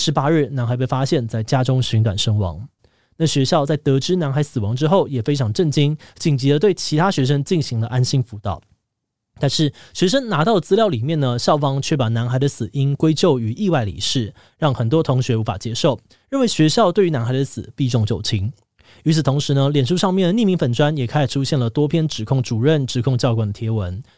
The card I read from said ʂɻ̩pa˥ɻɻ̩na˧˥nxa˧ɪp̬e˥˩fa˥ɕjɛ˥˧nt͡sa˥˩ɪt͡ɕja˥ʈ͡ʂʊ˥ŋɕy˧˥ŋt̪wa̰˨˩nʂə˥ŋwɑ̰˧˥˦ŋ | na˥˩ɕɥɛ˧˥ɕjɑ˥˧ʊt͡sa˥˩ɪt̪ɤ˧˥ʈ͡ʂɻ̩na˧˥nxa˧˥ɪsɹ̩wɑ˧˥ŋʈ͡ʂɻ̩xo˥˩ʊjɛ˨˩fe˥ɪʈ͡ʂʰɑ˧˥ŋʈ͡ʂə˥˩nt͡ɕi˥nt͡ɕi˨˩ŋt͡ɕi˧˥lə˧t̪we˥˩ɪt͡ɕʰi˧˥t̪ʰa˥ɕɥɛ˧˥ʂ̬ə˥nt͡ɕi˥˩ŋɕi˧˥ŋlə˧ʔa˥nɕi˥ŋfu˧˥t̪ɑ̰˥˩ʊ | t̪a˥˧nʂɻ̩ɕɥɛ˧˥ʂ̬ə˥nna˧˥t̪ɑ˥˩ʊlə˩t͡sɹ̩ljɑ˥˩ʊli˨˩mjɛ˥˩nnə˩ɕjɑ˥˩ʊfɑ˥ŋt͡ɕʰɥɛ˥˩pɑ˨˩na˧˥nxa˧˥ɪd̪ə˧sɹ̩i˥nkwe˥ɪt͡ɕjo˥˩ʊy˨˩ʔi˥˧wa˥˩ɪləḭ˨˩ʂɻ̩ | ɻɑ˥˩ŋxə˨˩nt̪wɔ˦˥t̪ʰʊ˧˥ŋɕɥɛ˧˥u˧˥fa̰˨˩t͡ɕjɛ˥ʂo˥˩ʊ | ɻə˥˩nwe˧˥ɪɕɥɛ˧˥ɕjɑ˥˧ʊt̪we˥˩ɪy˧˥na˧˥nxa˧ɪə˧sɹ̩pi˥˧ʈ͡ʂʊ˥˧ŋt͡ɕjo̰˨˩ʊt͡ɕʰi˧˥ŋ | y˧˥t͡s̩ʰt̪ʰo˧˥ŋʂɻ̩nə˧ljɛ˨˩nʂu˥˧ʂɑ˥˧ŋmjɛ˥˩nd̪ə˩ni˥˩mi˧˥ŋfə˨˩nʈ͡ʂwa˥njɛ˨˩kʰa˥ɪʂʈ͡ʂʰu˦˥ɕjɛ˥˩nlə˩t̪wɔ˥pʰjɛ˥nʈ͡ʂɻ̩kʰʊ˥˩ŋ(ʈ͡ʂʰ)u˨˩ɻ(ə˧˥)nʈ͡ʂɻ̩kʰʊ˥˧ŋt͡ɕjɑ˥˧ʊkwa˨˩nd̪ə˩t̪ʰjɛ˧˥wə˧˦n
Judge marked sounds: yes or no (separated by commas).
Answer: no, no